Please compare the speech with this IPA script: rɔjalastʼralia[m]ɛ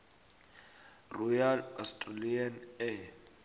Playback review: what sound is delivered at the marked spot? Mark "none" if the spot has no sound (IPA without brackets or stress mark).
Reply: n